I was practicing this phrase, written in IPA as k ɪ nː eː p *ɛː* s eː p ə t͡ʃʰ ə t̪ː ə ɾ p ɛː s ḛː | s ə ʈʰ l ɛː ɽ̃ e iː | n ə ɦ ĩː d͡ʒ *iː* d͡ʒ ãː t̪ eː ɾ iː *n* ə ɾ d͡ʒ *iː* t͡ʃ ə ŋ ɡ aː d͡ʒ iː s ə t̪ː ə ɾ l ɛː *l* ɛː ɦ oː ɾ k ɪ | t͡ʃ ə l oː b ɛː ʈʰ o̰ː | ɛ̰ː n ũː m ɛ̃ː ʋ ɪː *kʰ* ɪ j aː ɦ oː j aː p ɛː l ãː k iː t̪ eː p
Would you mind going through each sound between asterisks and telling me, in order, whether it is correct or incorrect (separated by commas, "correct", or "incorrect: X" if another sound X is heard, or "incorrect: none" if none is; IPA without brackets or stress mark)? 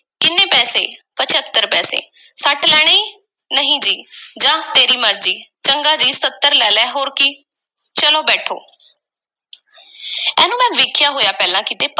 correct, correct, incorrect: m, correct, correct, correct